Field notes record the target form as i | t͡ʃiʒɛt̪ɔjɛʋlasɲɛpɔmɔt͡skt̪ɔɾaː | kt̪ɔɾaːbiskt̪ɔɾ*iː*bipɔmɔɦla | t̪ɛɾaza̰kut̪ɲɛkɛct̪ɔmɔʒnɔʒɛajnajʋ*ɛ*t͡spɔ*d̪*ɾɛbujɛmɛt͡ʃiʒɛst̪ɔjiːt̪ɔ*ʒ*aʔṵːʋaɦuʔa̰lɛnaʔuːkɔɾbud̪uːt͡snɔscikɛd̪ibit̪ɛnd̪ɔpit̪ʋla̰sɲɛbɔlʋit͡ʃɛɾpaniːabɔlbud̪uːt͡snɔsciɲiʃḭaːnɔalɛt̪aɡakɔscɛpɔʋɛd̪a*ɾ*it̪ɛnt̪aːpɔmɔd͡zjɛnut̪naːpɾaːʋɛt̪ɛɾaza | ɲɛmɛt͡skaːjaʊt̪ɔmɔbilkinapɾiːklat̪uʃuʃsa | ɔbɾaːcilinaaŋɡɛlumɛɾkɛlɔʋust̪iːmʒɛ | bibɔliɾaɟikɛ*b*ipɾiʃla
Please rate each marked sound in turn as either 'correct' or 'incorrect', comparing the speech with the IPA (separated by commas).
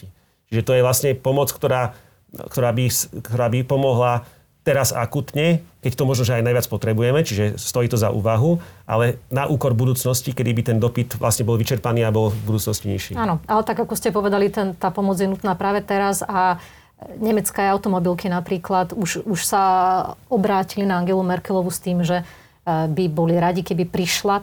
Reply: incorrect, incorrect, incorrect, incorrect, incorrect, correct